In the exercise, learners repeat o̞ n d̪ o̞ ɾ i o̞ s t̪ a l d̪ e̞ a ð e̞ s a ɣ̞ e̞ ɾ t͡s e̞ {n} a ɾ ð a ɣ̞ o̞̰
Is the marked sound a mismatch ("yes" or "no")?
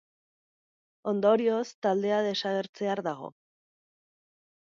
yes